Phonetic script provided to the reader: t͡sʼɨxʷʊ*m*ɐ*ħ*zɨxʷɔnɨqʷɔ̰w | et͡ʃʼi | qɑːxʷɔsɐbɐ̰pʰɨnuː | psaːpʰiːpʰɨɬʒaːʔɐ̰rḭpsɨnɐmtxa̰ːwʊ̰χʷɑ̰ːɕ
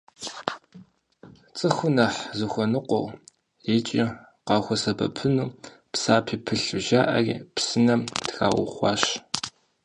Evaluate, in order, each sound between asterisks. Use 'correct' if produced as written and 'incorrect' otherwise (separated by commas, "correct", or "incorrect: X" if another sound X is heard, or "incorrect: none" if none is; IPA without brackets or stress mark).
incorrect: n, correct